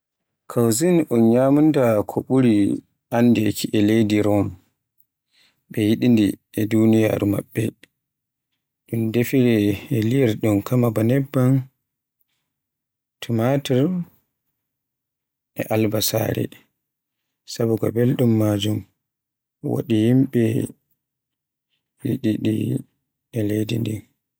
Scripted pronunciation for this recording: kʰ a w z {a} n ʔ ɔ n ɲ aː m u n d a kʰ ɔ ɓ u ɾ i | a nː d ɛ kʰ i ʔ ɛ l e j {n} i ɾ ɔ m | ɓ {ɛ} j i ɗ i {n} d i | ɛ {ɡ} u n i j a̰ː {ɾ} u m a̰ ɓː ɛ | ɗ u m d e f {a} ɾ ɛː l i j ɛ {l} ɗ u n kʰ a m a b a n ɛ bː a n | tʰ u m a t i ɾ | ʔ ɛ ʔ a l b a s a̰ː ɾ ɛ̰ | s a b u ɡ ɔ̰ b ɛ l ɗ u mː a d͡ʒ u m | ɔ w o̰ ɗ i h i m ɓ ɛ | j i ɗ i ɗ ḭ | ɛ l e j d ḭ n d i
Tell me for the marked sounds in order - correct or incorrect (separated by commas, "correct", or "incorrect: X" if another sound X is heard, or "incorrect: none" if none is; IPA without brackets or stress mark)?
incorrect: i, incorrect: d, correct, correct, incorrect: d, correct, incorrect: i, incorrect: ɾ